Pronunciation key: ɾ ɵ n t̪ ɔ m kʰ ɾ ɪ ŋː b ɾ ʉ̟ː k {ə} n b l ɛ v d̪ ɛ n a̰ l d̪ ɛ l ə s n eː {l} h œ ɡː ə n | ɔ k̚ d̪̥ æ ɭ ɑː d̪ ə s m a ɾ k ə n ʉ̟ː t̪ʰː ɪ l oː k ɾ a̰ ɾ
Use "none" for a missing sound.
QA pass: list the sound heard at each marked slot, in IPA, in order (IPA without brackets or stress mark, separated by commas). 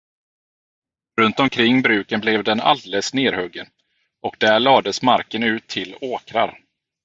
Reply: ə, ɾ